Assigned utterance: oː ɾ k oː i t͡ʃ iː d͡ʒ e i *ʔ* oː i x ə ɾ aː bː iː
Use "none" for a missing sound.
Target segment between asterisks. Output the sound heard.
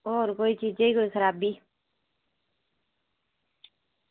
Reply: k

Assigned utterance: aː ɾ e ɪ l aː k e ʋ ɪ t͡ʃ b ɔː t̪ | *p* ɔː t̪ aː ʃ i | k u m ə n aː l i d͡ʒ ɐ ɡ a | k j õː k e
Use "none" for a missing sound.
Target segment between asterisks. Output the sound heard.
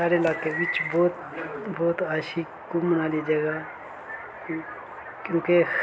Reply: b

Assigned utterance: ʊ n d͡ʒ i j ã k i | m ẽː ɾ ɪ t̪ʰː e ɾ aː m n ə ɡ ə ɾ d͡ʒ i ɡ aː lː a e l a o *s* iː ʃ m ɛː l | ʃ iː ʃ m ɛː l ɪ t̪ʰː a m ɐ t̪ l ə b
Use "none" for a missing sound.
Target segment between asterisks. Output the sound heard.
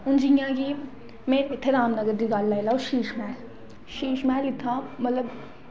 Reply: ʃ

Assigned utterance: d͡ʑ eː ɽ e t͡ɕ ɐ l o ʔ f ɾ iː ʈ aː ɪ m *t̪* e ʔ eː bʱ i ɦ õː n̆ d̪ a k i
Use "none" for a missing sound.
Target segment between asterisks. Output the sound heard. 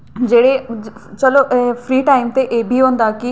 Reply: t̪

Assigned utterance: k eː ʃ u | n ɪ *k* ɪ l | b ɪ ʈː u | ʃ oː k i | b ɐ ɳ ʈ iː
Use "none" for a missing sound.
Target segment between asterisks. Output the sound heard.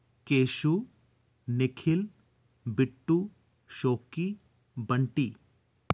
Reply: kʰ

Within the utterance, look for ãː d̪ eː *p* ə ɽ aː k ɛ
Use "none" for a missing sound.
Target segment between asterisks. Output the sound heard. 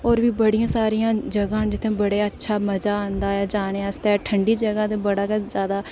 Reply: b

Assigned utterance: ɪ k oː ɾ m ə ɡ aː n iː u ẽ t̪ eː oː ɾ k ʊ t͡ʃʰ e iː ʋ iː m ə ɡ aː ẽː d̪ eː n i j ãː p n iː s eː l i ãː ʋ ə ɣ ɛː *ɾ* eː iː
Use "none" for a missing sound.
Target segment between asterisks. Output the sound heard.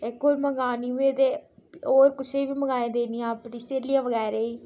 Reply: ɾ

